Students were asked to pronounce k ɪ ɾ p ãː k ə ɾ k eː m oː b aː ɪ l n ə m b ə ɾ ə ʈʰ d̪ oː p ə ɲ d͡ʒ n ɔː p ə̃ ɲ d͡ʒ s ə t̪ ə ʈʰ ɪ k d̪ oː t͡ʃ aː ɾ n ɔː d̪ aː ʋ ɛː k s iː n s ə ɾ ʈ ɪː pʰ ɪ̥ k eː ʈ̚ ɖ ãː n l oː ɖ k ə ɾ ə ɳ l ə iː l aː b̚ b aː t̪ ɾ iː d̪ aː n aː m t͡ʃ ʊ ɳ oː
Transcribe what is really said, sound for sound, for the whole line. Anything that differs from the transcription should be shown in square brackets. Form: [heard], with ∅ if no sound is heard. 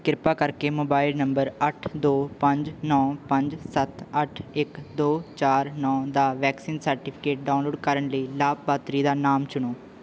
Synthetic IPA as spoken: k ɪ ɾ p [aː] k ə ɾ k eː m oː b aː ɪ l n ə m b ə ɾ ə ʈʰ d̪ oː p ə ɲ d͡ʒ n ɔː p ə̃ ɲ d͡ʒ s ə t̪ ə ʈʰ ɪ k d̪ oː t͡ʃ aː ɾ n ɔː d̪ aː ʋ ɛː k s iː n s ə ɾ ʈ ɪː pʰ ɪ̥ k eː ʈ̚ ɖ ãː n l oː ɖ k ə ɾ ə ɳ l ə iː l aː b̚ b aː t̪ ɾ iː d̪ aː n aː m t͡ʃ ʊ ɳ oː